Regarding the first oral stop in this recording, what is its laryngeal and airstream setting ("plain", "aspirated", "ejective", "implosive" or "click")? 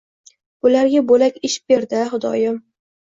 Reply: plain